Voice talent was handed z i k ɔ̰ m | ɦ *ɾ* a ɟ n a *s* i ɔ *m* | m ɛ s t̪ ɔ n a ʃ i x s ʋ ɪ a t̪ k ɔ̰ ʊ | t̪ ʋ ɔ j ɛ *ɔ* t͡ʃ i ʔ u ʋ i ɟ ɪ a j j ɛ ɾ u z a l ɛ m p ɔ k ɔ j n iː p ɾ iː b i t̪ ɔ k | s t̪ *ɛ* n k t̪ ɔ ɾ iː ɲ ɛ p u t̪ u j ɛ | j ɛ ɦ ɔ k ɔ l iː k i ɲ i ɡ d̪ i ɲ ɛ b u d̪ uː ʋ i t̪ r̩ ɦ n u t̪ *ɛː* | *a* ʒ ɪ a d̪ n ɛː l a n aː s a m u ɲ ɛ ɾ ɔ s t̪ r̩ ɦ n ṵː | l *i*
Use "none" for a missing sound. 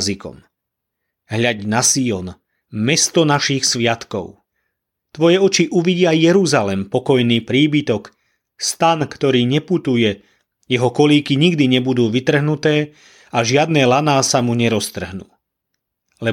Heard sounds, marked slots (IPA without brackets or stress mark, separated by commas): ʎ, s, n, ɔ, a, ɛː, a, ɛ